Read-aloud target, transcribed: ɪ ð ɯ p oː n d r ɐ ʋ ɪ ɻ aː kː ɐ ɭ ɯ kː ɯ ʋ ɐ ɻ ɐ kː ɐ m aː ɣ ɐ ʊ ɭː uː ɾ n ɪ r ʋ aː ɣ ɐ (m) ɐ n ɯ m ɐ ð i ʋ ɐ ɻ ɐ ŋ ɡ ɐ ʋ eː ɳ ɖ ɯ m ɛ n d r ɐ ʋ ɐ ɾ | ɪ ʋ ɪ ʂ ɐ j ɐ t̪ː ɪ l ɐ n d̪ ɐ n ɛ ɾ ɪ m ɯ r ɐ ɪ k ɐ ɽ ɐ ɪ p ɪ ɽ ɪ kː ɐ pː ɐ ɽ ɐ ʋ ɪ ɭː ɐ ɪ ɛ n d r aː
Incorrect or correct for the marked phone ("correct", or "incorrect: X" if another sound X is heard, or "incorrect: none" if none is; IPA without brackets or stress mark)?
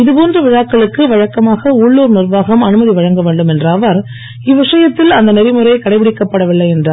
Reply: correct